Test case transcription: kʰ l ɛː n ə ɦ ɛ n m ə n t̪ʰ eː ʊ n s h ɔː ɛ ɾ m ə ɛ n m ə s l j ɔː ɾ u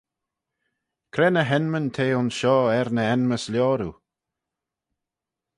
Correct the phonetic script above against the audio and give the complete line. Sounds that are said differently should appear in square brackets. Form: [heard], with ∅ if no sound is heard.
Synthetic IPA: kʰ [ɾ] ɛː n ə ɦ ɛ n m ə n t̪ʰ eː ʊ n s [ʃ] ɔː ɛ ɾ [n] ə ɛ n m ə s l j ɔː ɾ u